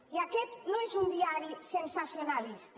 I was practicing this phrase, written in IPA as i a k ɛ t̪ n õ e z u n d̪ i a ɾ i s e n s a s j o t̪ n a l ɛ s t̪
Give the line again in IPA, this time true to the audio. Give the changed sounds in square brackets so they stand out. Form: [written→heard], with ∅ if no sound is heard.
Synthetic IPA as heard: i a k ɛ t̪ n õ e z u n d̪ i a ɾ i s e n s a s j o [t̪→∅] n a l [ɛ→i] s t̪